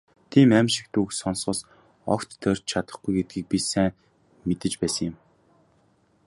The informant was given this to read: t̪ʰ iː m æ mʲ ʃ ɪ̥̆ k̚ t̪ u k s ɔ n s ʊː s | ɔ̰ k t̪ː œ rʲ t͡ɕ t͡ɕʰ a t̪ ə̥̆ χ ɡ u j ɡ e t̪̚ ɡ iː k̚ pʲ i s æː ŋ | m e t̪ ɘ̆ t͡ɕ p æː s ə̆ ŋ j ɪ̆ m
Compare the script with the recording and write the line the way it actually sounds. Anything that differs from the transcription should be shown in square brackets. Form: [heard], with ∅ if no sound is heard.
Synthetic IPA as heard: t̪ʰ iː m æ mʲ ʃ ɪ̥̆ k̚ t̪ u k s ɔ n s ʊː s | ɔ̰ k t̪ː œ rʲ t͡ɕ t͡ɕʰ a t̪ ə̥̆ χ ɡ u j ɡ e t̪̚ ɡ iː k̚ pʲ i s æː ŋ | m e t̪ ɘ̆ t͡ɕ p æː s ə̆ ŋ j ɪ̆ m